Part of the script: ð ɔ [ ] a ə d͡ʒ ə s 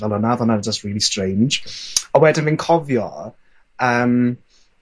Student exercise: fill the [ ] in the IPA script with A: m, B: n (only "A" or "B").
B